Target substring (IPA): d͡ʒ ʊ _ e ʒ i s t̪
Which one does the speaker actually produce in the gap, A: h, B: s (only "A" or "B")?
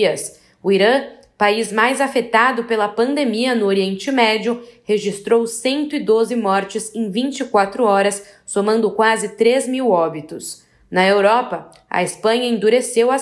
A